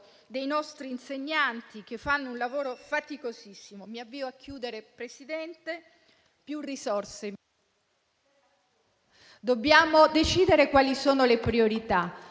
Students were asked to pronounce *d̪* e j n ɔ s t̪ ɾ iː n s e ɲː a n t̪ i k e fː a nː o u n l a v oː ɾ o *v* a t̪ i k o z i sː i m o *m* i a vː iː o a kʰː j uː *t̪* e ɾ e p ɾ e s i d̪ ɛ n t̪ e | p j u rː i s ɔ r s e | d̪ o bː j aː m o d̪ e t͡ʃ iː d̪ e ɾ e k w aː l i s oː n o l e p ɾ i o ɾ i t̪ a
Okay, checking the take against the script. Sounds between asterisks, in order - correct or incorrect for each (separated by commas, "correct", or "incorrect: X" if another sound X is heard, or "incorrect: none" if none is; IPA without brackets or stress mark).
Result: correct, incorrect: f, correct, incorrect: d̪